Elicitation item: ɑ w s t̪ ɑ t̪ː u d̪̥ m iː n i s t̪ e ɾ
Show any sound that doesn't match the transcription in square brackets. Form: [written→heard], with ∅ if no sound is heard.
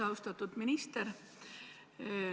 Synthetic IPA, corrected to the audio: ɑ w s t̪ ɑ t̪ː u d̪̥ m [iː→i] n i s t̪ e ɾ